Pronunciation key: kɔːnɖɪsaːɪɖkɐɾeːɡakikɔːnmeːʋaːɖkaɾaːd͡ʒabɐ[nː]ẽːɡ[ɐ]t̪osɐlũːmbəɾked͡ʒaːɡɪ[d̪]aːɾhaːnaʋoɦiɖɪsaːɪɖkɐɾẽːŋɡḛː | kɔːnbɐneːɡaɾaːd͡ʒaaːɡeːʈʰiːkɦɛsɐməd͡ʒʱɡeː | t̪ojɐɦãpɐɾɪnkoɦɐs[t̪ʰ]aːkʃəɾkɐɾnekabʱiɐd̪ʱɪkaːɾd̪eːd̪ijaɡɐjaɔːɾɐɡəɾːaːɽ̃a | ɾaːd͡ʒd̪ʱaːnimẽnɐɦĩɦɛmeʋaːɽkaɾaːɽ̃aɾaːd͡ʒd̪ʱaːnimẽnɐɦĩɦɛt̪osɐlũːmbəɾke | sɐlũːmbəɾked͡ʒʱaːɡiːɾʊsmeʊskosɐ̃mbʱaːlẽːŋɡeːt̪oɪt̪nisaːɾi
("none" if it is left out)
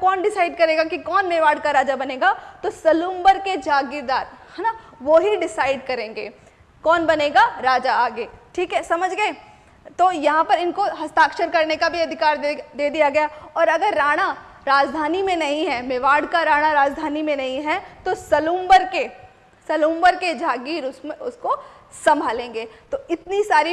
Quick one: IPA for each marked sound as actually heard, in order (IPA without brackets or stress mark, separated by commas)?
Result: n, a, d̪, t̪